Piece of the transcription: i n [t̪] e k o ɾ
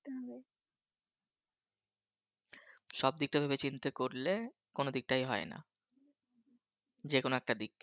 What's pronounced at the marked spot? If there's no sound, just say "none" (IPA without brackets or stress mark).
t̪